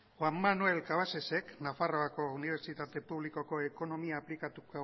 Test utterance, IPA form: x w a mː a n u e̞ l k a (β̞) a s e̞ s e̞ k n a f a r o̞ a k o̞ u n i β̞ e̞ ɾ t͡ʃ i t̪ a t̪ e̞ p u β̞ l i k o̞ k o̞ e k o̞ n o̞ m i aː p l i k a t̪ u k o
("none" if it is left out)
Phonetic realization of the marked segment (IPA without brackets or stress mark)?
β̞